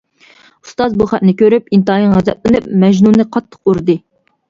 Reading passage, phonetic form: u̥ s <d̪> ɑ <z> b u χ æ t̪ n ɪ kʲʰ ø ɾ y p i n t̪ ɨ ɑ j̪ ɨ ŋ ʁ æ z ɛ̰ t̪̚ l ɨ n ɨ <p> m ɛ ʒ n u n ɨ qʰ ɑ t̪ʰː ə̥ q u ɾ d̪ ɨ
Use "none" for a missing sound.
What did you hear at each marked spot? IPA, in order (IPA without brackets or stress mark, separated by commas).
t̪, z, p